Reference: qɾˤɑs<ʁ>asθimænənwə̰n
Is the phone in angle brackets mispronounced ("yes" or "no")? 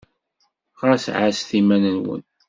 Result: yes